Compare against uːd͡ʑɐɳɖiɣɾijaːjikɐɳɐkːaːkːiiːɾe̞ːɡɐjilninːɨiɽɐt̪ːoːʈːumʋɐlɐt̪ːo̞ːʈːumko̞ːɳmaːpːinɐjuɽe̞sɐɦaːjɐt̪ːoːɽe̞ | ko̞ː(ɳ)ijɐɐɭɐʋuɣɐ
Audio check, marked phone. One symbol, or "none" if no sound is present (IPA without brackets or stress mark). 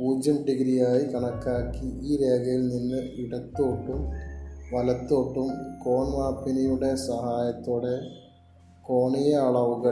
ɳ